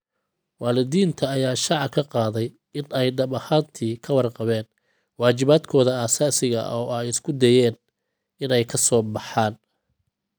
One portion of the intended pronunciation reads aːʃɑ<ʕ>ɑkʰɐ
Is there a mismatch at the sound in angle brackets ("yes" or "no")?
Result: no